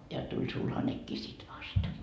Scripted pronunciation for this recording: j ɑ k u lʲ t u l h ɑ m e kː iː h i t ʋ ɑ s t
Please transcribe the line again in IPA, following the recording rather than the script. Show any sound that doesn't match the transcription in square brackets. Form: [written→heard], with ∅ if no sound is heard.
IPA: j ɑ [k→t] u lʲ [t→s] u l h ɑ [m→n] e kː iː [h→s] i t ʋ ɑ s t